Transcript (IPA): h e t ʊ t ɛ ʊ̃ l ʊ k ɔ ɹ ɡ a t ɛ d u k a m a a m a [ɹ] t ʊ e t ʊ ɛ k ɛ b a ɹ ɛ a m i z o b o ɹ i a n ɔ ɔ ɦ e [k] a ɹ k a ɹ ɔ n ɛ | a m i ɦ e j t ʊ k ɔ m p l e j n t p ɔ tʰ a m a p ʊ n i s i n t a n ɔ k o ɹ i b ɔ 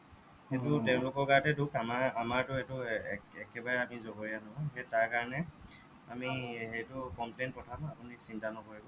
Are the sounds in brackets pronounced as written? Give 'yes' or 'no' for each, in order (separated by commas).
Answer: yes, no